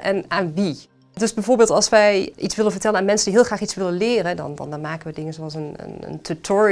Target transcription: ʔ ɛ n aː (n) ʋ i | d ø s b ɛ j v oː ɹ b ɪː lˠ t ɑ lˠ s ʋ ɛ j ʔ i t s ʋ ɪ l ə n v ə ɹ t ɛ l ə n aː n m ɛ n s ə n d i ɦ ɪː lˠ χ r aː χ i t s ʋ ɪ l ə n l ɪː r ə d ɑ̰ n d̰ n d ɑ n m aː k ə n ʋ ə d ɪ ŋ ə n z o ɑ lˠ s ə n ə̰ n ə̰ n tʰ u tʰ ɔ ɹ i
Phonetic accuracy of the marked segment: correct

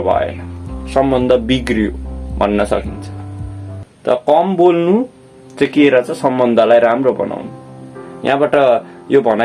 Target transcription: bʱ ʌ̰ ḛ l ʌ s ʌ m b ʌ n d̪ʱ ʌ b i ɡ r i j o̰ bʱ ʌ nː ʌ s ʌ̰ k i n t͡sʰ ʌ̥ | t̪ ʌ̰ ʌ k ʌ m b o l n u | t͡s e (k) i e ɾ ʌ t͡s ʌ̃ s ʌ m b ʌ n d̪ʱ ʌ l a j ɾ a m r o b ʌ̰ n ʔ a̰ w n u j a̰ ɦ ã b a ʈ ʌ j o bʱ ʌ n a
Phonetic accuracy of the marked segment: correct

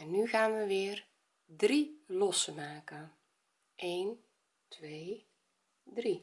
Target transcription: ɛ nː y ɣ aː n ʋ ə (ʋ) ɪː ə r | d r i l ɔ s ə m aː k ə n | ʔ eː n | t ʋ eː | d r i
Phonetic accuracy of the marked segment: correct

